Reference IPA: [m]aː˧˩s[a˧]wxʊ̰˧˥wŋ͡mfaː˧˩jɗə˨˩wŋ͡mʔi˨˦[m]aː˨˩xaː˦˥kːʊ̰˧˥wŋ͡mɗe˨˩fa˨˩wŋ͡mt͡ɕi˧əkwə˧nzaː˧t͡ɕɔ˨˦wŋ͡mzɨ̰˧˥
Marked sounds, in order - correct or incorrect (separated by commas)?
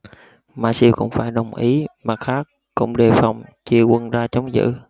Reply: correct, incorrect, correct